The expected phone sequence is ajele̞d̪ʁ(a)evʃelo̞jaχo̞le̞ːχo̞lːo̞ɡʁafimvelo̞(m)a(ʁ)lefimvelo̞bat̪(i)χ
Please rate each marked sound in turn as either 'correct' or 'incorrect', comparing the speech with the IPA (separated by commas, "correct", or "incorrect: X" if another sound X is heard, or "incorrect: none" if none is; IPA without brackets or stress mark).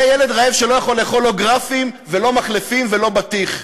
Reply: correct, correct, incorrect: χ, correct